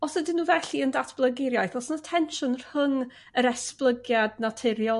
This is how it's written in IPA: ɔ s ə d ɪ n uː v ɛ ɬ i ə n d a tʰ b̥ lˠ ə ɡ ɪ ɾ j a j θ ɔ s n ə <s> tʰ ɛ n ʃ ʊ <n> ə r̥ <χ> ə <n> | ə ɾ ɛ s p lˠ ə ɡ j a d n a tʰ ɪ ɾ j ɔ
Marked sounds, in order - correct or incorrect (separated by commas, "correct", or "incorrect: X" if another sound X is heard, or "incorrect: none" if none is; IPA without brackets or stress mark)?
incorrect: none, correct, incorrect: h, incorrect: ŋ